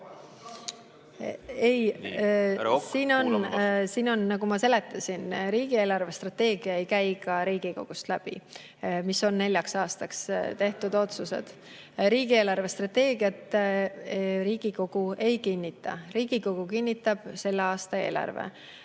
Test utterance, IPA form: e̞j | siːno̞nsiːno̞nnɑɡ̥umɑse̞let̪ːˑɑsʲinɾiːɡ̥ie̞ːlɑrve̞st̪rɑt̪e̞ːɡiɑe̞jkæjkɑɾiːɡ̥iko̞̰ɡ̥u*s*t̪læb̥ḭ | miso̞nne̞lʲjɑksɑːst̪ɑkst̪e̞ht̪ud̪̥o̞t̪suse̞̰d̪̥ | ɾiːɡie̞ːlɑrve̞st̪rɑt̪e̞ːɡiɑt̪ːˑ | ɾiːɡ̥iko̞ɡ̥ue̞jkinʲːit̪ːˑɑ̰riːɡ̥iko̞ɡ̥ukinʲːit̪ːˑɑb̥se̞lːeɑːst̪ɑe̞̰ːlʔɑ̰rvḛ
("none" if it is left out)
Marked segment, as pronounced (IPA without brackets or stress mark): s